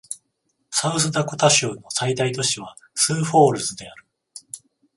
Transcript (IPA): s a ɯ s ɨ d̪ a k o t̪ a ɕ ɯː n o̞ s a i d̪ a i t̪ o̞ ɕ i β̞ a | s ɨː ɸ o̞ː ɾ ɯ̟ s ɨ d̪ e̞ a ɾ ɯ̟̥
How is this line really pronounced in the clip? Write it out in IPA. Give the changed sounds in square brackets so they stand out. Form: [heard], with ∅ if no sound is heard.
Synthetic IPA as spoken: s a ɯ s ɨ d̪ a k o t̪ a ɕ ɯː n o̞ s a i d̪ a i t̪ o̞ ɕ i β̞ a | s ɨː ɸ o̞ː ɾ ɯ̟ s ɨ d̪ e̞ a ɾ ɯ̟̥